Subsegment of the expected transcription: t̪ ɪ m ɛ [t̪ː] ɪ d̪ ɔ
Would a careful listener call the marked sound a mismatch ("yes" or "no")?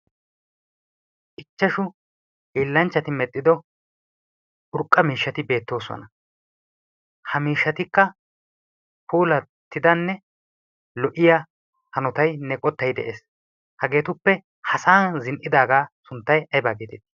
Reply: yes